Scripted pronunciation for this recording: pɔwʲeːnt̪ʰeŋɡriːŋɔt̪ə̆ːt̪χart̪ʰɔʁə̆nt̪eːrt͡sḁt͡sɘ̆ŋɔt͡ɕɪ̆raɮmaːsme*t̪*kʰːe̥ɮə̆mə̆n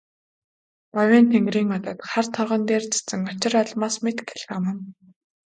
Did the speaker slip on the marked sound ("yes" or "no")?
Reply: no